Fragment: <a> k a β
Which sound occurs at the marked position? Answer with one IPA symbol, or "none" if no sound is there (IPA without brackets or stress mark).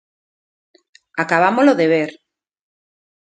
a